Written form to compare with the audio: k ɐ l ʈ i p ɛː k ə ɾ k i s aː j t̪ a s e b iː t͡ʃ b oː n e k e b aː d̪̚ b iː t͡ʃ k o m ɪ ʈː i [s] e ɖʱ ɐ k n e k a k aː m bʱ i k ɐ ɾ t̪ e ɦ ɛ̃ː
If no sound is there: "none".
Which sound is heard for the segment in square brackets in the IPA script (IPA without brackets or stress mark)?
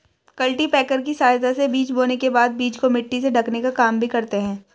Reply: s